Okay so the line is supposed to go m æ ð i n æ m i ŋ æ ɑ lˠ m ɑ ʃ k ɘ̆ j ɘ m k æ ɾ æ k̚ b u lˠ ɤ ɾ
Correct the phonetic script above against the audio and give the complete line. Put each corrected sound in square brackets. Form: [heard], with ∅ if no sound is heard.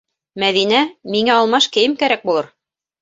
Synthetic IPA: m æ ð i n æ m i ŋ æ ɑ lˠ m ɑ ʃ k ɘ̆ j ɘ m k æ ɾ æ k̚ b u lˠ ɤ ɾ